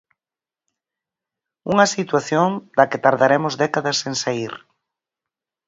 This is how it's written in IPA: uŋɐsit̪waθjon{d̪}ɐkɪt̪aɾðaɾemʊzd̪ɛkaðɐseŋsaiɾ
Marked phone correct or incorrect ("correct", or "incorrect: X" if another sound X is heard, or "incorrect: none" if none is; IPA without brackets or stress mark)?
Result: correct